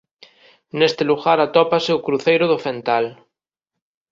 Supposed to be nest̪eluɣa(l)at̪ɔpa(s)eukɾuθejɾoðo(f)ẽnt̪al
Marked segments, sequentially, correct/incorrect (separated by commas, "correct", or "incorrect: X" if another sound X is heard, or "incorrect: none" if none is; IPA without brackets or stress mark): incorrect: ɾ, correct, correct